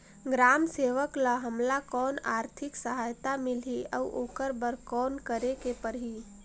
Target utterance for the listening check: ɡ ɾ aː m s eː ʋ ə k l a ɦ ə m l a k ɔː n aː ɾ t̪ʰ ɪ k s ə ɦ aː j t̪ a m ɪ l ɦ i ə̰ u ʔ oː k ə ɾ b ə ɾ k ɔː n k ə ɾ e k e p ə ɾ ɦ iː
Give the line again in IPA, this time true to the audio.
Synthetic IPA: ɡ ɾ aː m s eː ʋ ə k l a ɦ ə m l a k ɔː n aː ɾ t̪ʰ ɪ k s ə ɦ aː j t̪ a m ɪ l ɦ i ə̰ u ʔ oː k ə ɾ b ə ɾ k ɔː n k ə ɾ e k e p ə ɾ ɦ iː